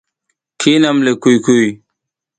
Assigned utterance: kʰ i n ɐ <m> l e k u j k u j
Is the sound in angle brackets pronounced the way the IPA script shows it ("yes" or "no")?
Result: yes